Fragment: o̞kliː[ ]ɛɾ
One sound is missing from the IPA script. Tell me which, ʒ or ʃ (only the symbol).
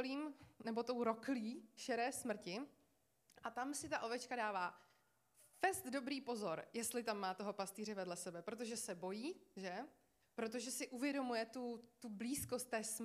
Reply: ʃ